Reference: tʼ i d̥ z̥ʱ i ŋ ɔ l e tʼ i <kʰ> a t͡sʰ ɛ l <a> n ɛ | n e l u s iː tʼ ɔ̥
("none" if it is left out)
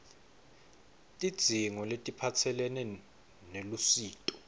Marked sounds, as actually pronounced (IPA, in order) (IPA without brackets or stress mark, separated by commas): pʰ, ɛ